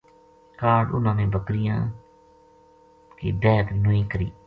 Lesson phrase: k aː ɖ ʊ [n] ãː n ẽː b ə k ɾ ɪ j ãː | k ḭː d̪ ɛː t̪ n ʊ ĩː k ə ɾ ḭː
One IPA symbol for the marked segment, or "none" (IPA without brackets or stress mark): n